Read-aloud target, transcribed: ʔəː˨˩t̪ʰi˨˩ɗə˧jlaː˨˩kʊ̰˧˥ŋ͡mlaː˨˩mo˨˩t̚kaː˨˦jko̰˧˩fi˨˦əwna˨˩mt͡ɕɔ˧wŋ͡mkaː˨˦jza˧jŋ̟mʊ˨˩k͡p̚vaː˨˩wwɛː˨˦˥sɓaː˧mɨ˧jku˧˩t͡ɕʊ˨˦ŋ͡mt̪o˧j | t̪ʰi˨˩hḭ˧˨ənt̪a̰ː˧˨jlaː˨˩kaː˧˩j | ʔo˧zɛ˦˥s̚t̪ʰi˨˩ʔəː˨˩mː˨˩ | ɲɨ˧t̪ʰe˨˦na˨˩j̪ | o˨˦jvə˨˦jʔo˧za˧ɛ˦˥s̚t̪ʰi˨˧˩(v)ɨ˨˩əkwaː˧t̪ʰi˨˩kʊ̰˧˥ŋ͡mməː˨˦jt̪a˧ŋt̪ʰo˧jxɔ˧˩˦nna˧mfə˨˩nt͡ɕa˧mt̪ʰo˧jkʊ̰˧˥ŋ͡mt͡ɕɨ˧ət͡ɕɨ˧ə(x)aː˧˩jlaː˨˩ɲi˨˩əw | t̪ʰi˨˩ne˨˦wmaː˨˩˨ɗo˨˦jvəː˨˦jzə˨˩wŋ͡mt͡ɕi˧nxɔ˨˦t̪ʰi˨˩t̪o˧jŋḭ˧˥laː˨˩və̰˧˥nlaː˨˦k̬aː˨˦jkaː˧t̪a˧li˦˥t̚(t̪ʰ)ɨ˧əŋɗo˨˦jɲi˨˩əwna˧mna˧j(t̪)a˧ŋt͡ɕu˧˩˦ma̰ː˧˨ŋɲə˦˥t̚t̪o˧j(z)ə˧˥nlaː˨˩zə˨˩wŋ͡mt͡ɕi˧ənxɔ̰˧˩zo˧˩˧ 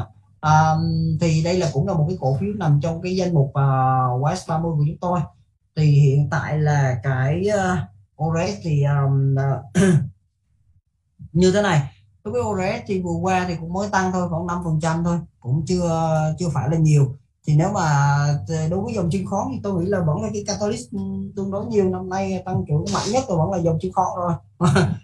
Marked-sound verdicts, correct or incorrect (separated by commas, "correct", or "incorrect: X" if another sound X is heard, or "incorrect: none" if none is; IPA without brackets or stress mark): correct, incorrect: f, incorrect: t̪, correct, incorrect: v